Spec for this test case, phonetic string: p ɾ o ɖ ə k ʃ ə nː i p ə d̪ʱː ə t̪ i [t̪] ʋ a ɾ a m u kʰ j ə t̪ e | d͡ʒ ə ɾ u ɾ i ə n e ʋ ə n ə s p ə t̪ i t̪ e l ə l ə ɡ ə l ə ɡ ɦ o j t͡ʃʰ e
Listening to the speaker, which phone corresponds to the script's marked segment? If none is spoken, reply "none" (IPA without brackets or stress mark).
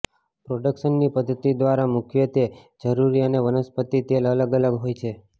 d̪